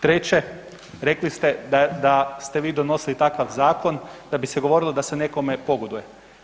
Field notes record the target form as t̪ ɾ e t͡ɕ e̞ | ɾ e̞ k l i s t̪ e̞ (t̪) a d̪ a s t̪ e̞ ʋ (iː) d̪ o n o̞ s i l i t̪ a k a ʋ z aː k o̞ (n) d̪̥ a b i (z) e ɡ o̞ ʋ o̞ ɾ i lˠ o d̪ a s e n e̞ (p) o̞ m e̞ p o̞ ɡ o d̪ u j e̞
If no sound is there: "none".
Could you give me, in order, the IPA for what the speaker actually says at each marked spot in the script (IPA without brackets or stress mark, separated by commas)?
d̪, iː, n, s, k